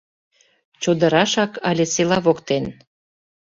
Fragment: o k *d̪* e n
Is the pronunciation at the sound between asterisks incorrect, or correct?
incorrect